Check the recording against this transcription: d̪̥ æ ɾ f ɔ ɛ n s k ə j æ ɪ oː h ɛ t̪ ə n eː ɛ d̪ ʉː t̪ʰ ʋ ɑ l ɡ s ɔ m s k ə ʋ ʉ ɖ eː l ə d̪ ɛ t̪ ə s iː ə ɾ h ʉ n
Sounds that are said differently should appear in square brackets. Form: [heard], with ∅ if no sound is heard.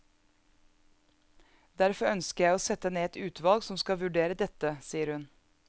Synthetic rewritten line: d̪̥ æ ɾ f ɔ [œ] n s k ə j æ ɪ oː [s] ɛ t̪ ə n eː ɛ [t̪] ʉː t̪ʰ ʋ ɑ l ɡ s ɔ m s k [ɑ] ʋ ʉ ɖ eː [ɾ] ə d̪ ɛ t̪ ə s iː ə ɾ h ʉ n